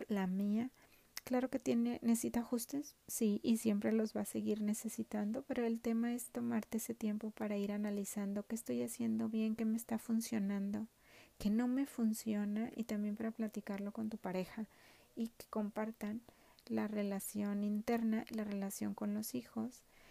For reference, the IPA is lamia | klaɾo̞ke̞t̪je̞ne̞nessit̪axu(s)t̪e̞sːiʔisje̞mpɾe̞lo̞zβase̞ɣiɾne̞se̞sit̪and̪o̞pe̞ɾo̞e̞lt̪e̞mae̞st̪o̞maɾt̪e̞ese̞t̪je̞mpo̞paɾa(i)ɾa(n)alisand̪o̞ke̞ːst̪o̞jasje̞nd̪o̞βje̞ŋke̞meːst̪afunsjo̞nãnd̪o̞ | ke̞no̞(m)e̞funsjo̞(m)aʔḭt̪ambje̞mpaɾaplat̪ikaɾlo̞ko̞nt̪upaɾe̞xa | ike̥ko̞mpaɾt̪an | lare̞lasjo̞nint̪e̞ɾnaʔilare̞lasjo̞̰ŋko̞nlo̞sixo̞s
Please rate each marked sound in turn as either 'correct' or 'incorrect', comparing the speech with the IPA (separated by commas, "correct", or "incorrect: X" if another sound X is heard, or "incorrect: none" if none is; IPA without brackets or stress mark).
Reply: correct, correct, correct, correct, incorrect: n